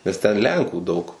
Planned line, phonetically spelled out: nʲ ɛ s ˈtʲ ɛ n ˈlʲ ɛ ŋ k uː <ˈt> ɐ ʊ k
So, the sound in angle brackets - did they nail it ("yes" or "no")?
no